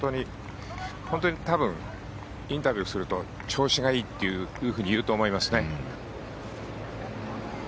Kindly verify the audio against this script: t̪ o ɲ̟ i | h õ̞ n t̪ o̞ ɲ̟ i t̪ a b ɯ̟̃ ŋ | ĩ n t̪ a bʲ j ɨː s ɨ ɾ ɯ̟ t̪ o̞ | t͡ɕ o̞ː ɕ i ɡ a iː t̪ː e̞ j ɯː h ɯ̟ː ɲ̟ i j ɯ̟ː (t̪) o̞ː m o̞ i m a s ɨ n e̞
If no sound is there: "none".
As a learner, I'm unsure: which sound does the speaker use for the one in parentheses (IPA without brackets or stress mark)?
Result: t̪